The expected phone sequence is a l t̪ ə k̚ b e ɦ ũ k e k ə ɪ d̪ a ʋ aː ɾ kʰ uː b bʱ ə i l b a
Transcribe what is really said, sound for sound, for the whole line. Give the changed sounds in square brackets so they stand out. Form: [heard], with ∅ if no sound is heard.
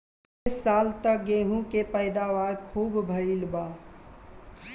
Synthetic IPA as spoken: a l t̪ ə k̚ [ɡ] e ɦ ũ k e [p] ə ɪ d̪ a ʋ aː ɾ kʰ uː b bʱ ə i l b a